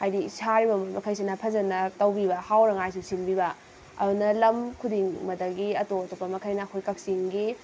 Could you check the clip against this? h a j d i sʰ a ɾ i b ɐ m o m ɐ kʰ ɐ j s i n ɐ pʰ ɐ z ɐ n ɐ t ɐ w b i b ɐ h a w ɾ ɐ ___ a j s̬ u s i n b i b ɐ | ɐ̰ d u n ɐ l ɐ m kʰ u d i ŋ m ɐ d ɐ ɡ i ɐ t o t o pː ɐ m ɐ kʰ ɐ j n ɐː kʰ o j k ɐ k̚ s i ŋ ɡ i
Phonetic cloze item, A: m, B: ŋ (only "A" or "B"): B